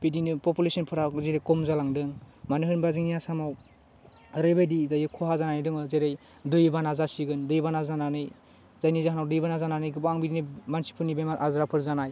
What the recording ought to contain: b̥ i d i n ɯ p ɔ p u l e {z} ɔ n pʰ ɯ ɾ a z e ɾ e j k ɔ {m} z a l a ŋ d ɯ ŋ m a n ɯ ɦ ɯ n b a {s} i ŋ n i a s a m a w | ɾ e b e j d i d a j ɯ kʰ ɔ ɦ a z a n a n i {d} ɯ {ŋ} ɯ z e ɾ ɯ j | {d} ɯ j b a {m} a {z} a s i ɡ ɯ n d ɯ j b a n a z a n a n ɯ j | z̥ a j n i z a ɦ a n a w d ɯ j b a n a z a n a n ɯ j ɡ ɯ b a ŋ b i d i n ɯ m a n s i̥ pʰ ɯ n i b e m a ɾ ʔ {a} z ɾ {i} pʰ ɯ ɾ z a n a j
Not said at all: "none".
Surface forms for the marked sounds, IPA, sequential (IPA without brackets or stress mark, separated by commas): s, m, z, d, ŋ, d, n, z, a, a